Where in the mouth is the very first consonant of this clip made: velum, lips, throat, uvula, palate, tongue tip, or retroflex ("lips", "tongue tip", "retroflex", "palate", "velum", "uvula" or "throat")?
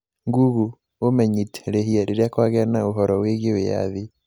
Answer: velum